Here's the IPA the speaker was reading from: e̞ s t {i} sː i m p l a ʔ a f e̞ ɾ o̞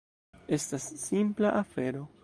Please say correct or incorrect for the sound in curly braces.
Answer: incorrect